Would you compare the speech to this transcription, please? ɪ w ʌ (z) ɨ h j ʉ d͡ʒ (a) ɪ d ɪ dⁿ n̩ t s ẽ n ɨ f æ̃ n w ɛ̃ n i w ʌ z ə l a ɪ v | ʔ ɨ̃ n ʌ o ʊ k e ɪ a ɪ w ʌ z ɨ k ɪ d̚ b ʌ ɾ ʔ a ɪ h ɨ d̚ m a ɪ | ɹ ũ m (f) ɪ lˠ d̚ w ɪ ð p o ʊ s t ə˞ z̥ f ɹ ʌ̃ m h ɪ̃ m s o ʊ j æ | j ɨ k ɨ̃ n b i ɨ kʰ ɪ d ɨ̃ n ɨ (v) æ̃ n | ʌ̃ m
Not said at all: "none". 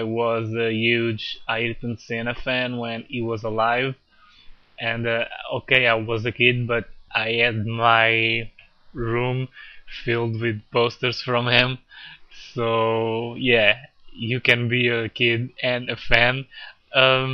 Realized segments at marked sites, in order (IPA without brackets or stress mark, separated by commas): z, a, f, f